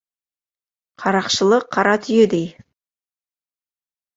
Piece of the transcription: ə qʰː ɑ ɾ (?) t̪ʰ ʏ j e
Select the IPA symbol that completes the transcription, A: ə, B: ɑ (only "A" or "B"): B